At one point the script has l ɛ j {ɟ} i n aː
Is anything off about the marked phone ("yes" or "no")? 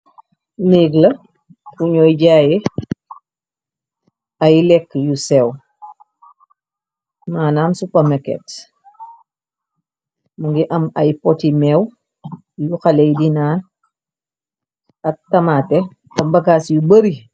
yes